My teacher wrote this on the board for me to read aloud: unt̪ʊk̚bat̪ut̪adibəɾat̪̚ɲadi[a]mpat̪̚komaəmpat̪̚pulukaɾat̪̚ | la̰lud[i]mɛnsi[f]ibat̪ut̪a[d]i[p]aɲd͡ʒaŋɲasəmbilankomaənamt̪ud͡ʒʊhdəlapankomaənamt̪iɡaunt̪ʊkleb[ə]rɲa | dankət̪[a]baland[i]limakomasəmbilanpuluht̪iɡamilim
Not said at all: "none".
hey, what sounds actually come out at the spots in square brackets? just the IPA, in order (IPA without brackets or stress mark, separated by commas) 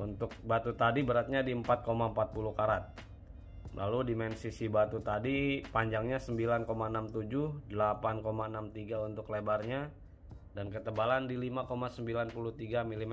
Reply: ə, i, s, d, p, a, ə, i